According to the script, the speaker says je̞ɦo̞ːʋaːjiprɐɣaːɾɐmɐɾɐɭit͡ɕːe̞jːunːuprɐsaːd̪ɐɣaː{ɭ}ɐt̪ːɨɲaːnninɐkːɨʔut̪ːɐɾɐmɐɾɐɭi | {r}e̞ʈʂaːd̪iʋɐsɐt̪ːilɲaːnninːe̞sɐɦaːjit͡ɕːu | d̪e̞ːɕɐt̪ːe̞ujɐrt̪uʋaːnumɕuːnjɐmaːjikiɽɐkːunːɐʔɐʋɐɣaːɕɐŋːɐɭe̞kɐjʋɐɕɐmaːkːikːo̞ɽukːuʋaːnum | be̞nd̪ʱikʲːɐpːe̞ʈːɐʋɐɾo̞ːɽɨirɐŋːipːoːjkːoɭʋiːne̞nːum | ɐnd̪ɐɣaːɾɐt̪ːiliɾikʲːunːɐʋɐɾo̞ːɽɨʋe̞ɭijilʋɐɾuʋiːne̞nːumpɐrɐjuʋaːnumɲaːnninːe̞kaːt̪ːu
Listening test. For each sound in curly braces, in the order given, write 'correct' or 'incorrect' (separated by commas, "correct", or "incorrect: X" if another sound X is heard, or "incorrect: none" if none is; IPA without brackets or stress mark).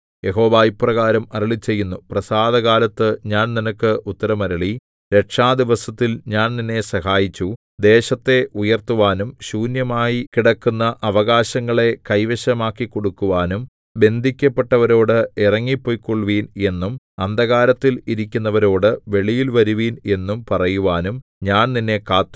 incorrect: l, incorrect: ɾ